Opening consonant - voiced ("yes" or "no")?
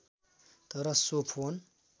no